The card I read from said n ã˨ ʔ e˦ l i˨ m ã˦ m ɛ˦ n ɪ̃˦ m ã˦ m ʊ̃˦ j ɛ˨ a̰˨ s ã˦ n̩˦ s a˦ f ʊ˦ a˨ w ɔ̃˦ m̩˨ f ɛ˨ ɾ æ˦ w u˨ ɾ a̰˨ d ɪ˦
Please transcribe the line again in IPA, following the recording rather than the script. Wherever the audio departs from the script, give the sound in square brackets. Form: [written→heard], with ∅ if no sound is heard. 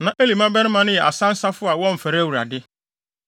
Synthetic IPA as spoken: n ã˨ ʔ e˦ l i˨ m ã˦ [m→b] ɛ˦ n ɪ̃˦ m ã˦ [m→n] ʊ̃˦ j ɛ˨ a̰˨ s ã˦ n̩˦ s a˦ f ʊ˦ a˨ w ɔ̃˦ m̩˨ f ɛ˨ ɾ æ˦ w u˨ ɾ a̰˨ d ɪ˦